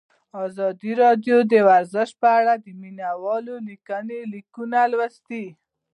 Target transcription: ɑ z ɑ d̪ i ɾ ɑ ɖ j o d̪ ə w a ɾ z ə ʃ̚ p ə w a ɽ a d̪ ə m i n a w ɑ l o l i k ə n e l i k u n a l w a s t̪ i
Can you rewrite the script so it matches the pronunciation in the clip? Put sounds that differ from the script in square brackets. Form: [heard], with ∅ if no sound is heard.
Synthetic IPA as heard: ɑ z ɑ d̪ i ɾ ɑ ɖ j o d̪ ə w a ɾ z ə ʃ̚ p ə [∅] a ɽ a d̪ ə m i n a w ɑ l o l i k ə n e l i k u n a l w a s t̪ i